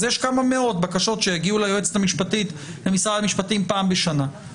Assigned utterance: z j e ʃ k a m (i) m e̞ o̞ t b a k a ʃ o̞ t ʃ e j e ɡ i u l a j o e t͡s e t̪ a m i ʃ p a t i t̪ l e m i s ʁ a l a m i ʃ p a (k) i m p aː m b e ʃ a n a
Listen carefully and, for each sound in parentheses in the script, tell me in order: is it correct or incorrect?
incorrect: a, incorrect: t

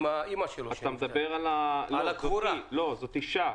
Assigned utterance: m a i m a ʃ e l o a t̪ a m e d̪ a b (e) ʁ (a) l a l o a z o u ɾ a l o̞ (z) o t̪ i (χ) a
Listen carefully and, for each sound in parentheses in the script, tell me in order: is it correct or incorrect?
correct, correct, correct, incorrect: ʃ

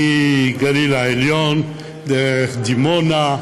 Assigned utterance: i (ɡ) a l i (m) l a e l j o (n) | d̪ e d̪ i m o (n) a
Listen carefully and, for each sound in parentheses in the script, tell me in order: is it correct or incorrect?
correct, incorrect: none, correct, correct

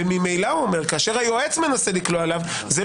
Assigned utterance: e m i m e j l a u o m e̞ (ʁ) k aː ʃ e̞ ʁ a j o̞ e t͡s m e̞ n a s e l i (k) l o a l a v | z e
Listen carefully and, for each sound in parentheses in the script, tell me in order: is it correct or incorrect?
correct, correct

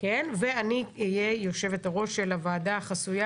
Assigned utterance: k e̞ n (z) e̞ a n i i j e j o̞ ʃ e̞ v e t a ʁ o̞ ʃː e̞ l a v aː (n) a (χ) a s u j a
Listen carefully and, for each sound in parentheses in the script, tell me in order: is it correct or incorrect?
incorrect: v, incorrect: d, correct

